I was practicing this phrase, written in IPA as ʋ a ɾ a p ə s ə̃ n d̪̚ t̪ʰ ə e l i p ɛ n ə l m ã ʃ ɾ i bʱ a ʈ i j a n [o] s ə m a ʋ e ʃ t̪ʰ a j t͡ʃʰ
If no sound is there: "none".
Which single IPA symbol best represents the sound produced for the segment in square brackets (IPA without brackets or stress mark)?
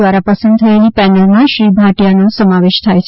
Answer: o